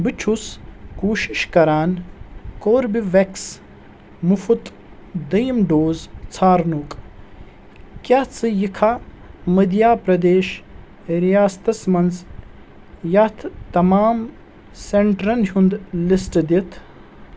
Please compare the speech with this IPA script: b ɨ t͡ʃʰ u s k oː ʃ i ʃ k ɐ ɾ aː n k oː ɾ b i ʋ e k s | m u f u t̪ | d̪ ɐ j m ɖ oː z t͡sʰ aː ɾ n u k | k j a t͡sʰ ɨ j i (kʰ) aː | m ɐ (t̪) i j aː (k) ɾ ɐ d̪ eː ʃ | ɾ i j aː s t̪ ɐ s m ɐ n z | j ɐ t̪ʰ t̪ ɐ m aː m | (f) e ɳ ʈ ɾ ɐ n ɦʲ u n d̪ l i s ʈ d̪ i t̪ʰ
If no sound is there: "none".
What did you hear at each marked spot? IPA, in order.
kʰ, d̪, p, s

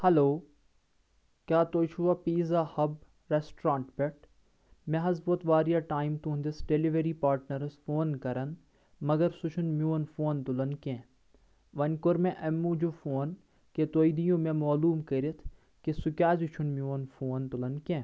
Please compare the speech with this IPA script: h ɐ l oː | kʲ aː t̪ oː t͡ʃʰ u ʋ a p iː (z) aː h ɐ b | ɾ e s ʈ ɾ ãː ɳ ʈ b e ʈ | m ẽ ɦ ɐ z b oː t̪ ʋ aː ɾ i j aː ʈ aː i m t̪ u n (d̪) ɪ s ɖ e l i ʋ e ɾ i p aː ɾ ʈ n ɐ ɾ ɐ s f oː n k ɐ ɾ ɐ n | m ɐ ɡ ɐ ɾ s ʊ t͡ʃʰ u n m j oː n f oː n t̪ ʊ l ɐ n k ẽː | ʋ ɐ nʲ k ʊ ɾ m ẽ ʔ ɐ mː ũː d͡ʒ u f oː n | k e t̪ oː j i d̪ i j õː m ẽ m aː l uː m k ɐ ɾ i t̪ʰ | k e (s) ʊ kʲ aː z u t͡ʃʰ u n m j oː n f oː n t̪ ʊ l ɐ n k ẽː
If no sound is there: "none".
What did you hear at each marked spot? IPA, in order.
z, d̪, s

